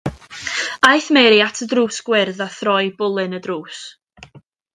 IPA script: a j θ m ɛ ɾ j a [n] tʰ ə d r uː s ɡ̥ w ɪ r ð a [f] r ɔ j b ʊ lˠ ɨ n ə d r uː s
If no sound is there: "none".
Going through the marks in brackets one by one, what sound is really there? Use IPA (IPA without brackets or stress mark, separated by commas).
none, θ